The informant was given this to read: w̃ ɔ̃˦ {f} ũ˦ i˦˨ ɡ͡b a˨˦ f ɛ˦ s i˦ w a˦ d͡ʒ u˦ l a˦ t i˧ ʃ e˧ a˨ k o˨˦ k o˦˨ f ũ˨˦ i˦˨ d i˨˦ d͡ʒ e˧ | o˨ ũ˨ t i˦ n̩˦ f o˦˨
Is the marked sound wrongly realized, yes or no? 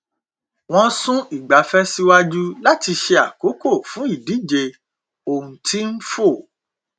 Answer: yes